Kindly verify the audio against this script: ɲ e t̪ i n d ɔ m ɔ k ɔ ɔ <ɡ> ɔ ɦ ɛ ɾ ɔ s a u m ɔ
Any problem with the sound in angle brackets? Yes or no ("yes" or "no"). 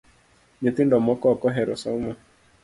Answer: yes